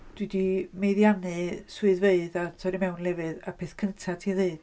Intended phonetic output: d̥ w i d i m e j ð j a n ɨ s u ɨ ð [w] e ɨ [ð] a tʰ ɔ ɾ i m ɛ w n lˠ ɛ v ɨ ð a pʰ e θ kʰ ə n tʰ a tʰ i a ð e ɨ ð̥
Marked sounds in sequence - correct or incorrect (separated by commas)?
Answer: incorrect, correct